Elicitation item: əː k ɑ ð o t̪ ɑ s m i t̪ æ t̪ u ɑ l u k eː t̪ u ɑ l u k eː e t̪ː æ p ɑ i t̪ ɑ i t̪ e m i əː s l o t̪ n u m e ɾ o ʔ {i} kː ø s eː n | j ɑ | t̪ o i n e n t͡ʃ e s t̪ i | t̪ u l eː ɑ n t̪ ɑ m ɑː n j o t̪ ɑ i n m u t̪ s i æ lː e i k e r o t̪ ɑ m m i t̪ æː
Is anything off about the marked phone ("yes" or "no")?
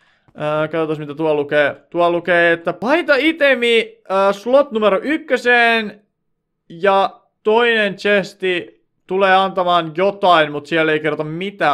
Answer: yes